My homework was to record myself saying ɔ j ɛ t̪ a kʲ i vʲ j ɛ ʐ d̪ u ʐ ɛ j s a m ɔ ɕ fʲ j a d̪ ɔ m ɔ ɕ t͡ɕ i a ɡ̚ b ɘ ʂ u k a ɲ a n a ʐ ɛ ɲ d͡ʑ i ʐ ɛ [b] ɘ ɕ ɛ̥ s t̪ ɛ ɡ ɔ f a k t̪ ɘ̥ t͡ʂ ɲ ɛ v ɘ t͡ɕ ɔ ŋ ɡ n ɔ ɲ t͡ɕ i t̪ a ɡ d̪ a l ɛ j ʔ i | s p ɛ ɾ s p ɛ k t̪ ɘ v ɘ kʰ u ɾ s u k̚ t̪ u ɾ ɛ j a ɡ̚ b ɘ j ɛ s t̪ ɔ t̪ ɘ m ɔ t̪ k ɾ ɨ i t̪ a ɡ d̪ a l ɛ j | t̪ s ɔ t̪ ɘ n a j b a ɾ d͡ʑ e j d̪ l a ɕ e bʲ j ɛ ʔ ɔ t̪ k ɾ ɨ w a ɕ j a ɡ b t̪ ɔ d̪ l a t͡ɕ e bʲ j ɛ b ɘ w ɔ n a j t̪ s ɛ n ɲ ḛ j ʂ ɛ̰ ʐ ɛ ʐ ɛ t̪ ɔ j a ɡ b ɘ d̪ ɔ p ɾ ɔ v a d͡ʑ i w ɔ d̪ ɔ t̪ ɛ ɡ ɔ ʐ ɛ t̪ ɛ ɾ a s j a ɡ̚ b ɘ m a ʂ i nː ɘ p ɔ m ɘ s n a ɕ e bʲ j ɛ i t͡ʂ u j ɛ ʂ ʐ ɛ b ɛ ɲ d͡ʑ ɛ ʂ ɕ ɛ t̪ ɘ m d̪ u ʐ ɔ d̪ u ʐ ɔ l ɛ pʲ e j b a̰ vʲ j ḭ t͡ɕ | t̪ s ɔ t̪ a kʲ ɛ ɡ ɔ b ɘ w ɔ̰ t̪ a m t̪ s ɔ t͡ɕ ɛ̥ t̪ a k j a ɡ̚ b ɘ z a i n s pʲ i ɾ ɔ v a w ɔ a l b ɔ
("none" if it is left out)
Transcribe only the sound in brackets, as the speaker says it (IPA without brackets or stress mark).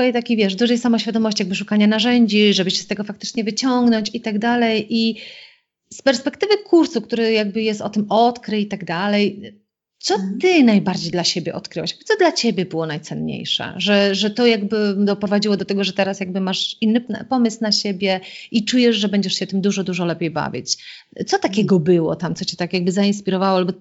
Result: b